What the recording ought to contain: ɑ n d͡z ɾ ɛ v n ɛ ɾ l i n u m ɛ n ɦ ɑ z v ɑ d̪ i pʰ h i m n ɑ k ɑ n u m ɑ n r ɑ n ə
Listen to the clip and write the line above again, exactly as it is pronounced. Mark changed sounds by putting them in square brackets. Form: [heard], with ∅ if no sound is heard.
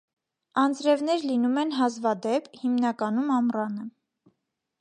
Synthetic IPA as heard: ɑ n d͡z ɾ ɛ v n ɛ ɾ l i n u m ɛ n ɦ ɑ z v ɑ d̪ [ɛ] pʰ h i m n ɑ k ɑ n u m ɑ [m] r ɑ n ə